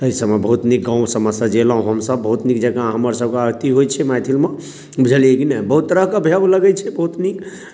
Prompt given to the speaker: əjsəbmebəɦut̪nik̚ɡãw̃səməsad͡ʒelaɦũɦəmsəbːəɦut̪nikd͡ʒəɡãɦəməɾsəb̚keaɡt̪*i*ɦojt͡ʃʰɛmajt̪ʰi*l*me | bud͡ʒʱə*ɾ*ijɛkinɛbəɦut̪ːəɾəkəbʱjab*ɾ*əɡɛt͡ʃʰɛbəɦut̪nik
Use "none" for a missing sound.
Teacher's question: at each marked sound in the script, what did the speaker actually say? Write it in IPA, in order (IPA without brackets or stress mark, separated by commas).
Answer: i, l, l, l